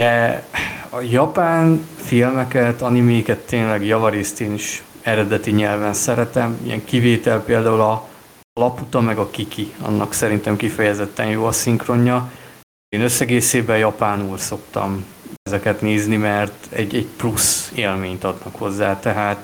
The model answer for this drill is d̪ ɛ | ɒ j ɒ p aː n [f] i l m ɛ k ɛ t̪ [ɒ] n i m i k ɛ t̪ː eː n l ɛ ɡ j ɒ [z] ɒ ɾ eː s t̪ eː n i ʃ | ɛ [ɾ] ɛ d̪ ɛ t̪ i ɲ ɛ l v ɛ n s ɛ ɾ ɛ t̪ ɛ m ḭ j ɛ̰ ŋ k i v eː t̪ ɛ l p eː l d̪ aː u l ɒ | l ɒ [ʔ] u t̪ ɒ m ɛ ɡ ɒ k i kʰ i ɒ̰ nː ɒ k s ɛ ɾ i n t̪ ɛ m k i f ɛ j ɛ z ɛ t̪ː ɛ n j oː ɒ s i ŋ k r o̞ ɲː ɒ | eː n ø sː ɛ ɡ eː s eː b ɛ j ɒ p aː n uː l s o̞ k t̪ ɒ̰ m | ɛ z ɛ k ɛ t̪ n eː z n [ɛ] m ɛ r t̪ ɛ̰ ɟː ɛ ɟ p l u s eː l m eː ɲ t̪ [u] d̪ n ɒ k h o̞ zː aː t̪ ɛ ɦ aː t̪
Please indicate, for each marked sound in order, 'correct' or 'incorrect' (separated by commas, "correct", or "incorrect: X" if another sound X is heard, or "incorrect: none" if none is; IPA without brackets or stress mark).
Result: correct, correct, incorrect: v, correct, incorrect: p, incorrect: i, incorrect: ɒ